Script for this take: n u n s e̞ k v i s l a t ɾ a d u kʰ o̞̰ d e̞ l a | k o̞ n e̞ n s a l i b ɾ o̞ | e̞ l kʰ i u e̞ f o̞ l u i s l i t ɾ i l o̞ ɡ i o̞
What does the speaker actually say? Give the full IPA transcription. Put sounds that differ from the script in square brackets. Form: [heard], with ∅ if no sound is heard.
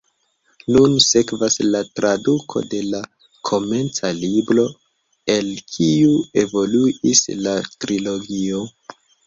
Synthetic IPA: n u n s e̞ k v [a] s l a t ɾ a d u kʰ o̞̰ d e̞ l a | [kʰ] o̞ [m] e̞ n [t͡s] a l i b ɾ o̞ | e̞ l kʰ i u e̞ [v] o̞ l u i s l [a] t ɾ i l o̞ ɡ i o̞